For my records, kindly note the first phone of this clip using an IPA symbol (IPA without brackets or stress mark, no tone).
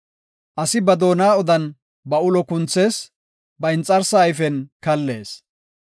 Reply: ʔ